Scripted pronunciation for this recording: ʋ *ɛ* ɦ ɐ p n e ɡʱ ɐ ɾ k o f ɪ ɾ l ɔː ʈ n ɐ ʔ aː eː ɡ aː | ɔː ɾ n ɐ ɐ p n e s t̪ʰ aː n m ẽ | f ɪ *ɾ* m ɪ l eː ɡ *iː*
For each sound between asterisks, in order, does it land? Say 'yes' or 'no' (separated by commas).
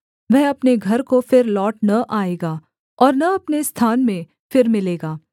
yes, yes, no